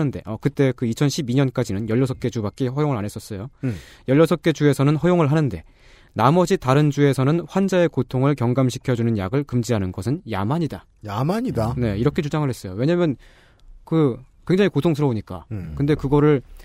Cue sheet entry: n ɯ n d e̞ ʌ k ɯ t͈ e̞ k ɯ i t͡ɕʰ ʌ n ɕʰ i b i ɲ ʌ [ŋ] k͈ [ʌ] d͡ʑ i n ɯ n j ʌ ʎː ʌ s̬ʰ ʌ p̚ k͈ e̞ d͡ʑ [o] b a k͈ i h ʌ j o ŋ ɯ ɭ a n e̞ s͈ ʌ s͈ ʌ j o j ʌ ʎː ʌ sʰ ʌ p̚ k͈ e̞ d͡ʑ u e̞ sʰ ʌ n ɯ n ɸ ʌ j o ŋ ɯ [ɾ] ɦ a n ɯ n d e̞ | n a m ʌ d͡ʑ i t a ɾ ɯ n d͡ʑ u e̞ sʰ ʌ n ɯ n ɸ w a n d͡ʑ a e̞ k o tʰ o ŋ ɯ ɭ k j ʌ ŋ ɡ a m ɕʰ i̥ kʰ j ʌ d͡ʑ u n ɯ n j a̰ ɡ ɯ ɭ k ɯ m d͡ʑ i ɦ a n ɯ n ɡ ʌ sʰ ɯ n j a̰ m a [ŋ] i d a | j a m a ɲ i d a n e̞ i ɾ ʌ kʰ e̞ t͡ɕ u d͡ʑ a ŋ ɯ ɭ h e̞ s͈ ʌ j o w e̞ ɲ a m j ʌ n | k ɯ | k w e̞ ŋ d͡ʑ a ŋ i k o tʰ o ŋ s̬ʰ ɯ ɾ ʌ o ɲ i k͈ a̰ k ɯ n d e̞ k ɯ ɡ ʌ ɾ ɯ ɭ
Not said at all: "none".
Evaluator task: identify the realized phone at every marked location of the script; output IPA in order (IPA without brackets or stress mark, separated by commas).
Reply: n, a, u, ɭ, ɲ